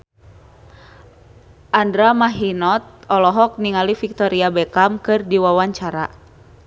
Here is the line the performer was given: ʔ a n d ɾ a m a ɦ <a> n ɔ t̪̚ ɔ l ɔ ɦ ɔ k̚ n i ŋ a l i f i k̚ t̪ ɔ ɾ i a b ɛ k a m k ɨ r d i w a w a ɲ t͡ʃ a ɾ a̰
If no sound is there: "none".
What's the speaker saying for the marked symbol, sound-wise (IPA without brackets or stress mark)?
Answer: i